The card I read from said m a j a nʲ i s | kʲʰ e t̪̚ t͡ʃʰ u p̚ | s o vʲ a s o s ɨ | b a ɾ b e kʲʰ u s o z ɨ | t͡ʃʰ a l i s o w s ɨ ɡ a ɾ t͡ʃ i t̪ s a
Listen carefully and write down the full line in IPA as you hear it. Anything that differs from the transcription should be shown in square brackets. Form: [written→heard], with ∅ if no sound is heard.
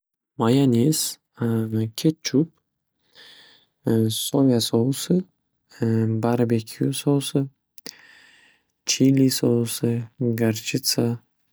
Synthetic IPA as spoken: m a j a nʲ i s | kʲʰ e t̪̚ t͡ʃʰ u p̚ | s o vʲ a s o s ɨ | b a ɾ b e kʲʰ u s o [z→s] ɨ | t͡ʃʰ [a→i] l i s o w s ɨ ɡ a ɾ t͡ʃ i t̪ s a